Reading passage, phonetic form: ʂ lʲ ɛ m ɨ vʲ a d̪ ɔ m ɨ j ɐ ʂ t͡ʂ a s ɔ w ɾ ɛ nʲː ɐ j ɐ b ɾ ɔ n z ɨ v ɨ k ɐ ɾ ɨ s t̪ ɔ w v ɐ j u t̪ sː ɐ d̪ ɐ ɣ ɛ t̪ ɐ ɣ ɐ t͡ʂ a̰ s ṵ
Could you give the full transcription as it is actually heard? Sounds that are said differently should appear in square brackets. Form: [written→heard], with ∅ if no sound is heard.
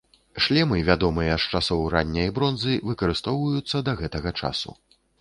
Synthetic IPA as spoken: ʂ lʲ ɛ m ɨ vʲ a d̪ ɔ m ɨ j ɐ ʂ t͡ʂ a s ɔ w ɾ [ɛ→a] nʲː ɐ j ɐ b ɾ ɔ n z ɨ v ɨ k ɐ ɾ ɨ s t̪ ɔ w v ɐ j u t̪ sː ɐ d̪ ɐ ɣ ɛ t̪ ɐ ɣ ɐ t͡ʂ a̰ s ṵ